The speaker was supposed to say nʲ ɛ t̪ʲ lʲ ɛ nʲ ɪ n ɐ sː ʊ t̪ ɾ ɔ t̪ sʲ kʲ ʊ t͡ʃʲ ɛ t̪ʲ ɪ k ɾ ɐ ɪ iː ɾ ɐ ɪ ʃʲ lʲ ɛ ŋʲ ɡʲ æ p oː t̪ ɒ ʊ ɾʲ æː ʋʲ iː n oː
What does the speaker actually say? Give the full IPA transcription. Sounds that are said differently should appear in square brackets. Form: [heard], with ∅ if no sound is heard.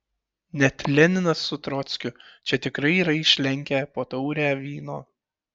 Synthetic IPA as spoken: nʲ ɛ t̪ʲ lʲ ɛ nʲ ɪ n ɐ sː ʊ t̪ ɾ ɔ t̪ sʲ kʲ ʊ t͡ʃʲ ɛ t̪ʲ ɪ k ɾ ɐ ɪ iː ɾ ɐ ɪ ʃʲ lʲ ɛ ŋʲ [kʲ] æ p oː t̪ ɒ ʊ ɾʲ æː ʋʲ iː n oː

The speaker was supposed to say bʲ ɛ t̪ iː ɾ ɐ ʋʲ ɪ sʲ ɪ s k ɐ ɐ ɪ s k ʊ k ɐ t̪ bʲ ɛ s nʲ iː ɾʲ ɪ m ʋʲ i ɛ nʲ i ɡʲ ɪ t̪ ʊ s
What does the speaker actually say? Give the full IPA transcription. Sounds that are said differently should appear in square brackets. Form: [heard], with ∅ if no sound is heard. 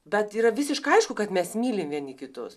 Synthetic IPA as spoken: bʲ ɛ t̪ iː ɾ ɐ ʋʲ ɪ sʲ ɪ [ʃ] k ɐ ɐ ɪ [ʃ] k ʊ k ɐ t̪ [mʲ] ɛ s [mʲ] iː [lʲ] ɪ m ʋʲ i ɛ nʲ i [kʲ] ɪ t̪ ʊ s

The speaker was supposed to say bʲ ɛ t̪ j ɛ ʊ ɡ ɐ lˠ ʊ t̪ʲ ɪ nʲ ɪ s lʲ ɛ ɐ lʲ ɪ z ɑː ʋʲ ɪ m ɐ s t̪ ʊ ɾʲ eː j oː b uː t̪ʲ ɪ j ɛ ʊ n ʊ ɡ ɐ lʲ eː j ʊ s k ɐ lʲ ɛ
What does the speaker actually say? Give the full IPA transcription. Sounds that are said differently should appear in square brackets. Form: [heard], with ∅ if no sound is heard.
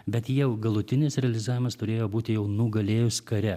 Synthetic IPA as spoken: bʲ ɛ t̪ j ɛ ʊ ɡ ɐ lˠ ʊ t̪ʲ ɪ nʲ ɪ s [ɾʲ] ɛ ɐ lʲ ɪ z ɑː ʋʲ ɪ m ɐ s t̪ ʊ ɾʲ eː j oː b uː t̪ʲ ɪ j ɛ ʊ n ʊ ɡ ɐ lʲ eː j ʊ s k ɐ [ɾʲ] ɛ

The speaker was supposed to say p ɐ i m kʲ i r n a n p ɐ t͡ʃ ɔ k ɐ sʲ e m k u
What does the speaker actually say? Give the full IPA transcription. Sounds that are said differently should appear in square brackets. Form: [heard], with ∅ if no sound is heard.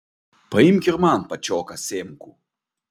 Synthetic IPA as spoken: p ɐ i m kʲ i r [m] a n p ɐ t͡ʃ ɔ k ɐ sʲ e m k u

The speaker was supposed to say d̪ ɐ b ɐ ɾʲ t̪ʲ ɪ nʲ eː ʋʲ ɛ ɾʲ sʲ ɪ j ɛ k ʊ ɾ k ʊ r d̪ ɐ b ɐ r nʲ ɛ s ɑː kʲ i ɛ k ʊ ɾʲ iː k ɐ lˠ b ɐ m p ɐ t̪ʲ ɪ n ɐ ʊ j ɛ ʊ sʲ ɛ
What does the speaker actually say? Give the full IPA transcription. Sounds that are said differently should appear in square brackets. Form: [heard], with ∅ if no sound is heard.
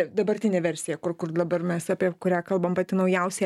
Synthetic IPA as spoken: d̪ ɐ b ɐ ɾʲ t̪ʲ ɪ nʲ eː ʋʲ ɛ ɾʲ sʲ ɪ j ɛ k ʊ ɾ k ʊ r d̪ ɐ b ɐ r [mʲ] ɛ s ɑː [pʲ] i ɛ k ʊ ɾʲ [æː] k ɐ lˠ b ɐ m p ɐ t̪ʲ ɪ n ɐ ʊ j ɛ ʊ sʲ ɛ

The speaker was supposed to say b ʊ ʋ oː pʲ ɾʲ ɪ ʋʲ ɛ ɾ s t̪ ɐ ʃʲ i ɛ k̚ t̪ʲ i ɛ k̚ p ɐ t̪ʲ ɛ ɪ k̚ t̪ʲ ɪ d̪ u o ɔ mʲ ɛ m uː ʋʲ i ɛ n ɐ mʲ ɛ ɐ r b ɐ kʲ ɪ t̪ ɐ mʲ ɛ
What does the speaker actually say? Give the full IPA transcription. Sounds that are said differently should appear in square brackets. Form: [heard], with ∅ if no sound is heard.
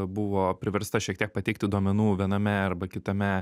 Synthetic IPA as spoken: b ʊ ʋ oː pʲ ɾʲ ɪ ʋʲ ɛ ɾ s t̪ ɐ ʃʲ i ɛ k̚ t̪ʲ i ɛ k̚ p ɐ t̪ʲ ɛ ɪ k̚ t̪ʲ ɪ d̪ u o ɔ mʲ ɛ [n] uː ʋʲ i ɛ n ɐ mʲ ɛ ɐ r b ɐ kʲ ɪ t̪ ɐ mʲ ɛ

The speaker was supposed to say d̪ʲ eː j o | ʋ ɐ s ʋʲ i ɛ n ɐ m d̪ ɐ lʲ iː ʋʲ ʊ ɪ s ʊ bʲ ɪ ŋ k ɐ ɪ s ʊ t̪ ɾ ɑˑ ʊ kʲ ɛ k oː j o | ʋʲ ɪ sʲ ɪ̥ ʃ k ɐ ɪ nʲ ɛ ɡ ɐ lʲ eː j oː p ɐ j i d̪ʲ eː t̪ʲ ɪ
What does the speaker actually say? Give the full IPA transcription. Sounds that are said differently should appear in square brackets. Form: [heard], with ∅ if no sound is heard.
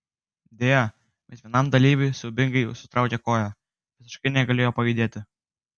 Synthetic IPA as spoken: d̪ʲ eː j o | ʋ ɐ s ʋʲ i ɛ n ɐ m d̪ ɐ lʲ iː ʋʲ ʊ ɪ s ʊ bʲ ɪ ŋ [ɡ] ɐ ɪ s ʊ t̪ ɾ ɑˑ ʊ kʲ ɛ k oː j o | ʋʲ ɪ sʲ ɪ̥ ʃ k ɐ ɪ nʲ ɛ ɡ ɐ lʲ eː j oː p ɐ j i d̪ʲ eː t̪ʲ ɪ

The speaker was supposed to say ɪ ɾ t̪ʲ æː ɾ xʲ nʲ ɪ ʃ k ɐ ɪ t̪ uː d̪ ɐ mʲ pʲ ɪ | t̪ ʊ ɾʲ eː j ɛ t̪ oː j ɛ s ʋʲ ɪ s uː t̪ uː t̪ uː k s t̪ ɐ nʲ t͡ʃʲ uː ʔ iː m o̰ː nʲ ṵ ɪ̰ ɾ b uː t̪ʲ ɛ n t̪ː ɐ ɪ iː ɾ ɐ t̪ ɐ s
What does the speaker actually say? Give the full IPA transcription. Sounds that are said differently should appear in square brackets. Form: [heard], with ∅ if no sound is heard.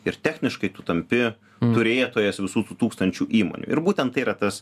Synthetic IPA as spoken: ɪ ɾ t̪ʲ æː [∅] xʲ nʲ ɪ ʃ k ɐ ɪ t̪ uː [t̪] ɐ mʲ pʲ ɪ | t̪ ʊ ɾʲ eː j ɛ t̪ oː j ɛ s ʋʲ ɪ s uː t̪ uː t̪ uː k s t̪ ɐ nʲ t͡ʃʲ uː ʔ iː m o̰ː nʲ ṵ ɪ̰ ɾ b uː t̪ʲ ɛ n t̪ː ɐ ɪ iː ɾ ɐ t̪ ɐ s

